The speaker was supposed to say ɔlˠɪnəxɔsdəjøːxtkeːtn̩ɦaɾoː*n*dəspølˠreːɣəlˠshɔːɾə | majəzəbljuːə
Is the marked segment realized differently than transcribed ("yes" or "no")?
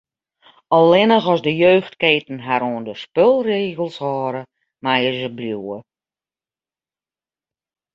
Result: no